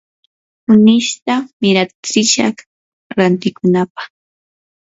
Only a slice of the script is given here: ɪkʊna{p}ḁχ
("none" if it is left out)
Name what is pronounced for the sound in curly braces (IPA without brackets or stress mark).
p